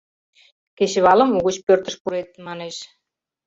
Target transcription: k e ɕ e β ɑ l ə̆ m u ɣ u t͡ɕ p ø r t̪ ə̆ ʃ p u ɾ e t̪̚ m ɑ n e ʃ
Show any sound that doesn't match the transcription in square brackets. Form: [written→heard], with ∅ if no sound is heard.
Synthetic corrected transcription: k e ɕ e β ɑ l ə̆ m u ɣ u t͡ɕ p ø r t̪ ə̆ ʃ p u ɾ e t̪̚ m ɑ n e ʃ

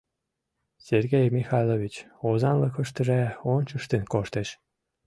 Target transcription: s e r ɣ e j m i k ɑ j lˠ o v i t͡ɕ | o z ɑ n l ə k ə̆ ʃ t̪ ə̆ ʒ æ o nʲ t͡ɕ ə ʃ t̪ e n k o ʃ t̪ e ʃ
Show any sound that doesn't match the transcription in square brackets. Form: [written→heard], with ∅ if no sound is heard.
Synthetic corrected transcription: s e r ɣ e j m i [k→x] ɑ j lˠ o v i t͡ɕ | o z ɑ n l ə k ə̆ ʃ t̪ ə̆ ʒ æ o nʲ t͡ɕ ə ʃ t̪ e n k o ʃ t̪ e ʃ

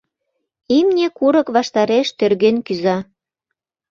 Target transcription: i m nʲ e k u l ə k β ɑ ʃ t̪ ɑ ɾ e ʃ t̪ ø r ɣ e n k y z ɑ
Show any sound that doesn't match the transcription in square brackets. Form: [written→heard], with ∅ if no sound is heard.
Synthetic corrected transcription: i m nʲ e k u [l→ɾ] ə k β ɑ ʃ t̪ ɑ ɾ e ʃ t̪ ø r ɣ e n k y z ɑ

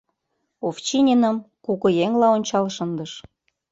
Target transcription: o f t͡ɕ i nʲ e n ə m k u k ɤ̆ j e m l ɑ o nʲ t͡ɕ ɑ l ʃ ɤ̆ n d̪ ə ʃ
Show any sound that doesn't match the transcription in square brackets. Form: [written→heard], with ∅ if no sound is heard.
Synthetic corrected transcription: o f t͡ɕ i nʲ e n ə m k u k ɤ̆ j e [m→ŋ] l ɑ o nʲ t͡ɕ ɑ l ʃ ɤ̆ n d̪ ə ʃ

